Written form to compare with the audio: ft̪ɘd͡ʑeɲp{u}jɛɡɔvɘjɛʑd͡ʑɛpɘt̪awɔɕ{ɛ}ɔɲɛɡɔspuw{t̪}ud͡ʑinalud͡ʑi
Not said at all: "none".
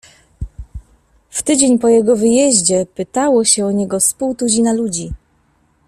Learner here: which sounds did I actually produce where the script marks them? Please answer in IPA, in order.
ɔ, ɛ, t̪

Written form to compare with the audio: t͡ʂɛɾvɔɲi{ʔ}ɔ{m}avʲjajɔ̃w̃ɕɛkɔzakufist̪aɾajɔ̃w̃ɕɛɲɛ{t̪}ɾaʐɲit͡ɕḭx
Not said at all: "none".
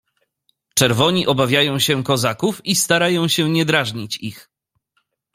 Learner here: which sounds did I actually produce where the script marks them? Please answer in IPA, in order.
ʔ, b, d̪

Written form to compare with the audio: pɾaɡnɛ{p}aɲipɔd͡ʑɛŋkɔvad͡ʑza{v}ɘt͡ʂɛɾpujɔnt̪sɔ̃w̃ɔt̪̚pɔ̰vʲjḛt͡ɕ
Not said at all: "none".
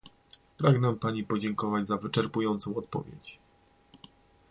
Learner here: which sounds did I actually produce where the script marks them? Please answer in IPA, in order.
p, v

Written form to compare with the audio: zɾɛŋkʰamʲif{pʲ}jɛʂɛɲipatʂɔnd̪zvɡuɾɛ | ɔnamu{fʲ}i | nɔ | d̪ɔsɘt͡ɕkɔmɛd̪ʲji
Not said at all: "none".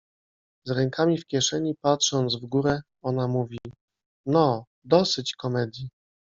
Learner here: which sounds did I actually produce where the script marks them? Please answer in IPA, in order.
kʲ, vʲ

